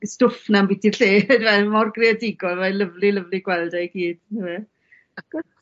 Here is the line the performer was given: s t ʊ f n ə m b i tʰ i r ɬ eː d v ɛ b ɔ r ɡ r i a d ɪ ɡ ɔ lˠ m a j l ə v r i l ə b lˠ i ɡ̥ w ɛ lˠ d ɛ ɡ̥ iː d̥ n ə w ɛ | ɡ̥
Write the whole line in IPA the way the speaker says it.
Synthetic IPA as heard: s t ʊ f n a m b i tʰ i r ɬ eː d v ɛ m ɔ r ɡ r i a d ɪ ɡ ɔ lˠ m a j l ə v l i l ə v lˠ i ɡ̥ w ɛ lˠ d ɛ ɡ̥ iː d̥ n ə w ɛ | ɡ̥